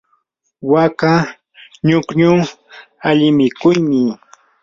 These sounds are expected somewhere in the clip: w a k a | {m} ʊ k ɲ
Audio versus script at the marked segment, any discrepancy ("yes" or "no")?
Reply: yes